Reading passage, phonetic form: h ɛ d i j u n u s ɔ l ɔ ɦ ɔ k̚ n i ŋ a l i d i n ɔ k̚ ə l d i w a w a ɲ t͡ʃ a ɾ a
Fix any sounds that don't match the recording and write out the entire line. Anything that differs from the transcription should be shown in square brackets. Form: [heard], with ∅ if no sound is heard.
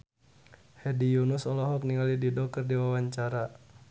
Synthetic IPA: h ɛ d i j u n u s ɔ l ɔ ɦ ɔ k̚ n i ŋ a l i d i [d] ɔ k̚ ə [r] d i w a w a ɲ t͡ʃ a ɾ a